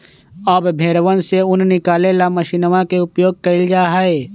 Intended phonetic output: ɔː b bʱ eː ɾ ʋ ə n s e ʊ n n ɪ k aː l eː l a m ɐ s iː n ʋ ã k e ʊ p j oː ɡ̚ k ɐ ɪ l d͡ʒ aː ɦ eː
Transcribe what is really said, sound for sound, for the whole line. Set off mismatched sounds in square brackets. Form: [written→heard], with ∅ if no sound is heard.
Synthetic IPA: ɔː b bʱ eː ɾ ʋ ə n s e ʊ n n ɪ k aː l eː l a m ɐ [s→ʃ] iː n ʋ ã k e ʊ p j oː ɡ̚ k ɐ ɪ l d͡ʒ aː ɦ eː